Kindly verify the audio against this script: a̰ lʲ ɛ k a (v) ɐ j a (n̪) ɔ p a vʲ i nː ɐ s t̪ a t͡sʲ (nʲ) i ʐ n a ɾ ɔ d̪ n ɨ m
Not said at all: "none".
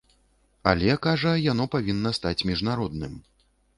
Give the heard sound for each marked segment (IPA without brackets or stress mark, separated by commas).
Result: ʐ, n̪, mʲ